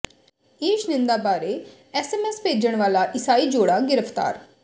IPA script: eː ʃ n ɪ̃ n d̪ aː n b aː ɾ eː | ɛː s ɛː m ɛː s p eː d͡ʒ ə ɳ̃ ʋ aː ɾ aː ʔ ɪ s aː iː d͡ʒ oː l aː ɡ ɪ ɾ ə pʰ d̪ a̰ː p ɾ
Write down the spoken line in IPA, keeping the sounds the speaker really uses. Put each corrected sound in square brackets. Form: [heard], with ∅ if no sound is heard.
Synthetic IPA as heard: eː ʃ n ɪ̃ n d̪ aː [∅] b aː ɾ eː | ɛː s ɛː m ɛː s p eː d͡ʒ ə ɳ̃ ʋ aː [l] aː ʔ ɪ s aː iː d͡ʒ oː [ɽ] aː ɡ ɪ ɾ ə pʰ [t̪] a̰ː [∅] ɾ